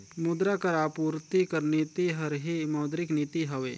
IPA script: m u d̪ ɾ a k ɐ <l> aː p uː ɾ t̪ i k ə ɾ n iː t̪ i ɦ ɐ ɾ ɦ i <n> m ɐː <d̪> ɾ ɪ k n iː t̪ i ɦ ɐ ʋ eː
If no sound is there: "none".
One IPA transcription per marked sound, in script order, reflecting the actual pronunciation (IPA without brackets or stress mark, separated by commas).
ɾ, none, d̪